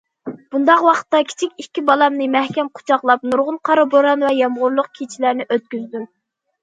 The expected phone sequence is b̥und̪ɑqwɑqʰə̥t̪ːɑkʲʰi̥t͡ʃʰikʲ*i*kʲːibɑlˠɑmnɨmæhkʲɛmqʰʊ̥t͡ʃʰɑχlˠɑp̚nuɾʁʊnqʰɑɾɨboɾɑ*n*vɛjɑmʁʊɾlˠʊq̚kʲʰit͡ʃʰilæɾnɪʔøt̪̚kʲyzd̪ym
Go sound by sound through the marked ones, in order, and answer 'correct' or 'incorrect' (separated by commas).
correct, correct